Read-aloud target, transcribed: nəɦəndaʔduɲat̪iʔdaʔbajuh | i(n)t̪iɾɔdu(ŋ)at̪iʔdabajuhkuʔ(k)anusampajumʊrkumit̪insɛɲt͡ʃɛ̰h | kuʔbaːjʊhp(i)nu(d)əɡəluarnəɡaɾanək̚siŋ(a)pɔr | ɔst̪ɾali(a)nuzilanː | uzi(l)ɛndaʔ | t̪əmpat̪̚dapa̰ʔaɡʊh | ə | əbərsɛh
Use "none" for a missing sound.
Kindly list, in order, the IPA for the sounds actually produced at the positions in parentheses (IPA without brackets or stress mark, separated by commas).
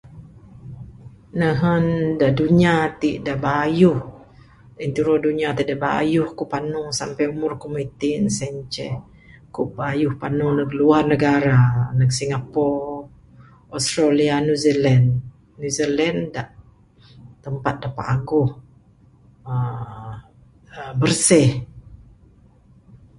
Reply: n, ɲ, p, a, n, a, a, l